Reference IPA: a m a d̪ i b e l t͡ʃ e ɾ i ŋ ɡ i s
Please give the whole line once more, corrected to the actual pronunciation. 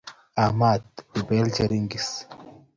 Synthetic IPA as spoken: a m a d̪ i b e l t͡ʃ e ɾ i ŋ ɡ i s

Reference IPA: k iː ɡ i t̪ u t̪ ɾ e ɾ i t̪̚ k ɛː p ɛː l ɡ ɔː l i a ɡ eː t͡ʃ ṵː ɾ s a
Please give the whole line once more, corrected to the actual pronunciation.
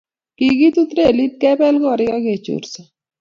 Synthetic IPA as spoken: k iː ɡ i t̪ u t̪ ɾ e l i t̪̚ k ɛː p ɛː l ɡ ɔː ɾ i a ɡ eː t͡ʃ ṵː ɾ s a

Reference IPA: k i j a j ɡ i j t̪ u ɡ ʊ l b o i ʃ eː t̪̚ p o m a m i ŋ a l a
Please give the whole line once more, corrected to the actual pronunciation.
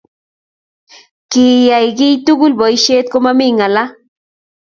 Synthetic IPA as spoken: k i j a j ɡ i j t̪ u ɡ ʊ l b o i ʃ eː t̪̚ k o m a m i ŋ a l a

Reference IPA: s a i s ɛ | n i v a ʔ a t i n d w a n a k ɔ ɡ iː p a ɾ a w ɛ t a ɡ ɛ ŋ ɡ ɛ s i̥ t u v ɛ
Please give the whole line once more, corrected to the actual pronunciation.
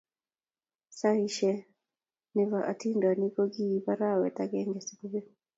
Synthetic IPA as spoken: s a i ʃ ɛ | n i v a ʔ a t i n d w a n i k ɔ ɡ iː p a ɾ a w ɛ t a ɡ ɛ ŋ ɡ ɛ s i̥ k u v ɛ

